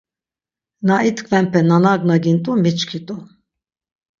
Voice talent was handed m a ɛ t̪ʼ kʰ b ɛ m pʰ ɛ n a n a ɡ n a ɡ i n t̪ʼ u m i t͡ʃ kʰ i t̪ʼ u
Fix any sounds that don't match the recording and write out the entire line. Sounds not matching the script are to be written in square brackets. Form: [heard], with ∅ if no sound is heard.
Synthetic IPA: [n] a [i] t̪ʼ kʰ [v] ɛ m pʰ ɛ n a n a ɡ n a ɡ i n t̪ʼ u m i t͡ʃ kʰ i t̪ʼ u